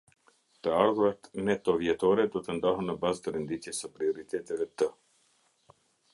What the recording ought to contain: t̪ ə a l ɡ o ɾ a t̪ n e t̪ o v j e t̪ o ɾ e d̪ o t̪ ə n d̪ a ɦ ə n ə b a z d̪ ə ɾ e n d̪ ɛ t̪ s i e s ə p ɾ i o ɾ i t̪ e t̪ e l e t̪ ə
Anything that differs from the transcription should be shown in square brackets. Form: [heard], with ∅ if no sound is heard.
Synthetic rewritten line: t̪ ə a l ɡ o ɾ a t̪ n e t̪ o v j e t̪ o ɾ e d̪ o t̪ ə n d̪ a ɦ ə n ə b a z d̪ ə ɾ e n d̪ [i] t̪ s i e s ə p ɾ i o ɾ i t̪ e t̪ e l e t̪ ə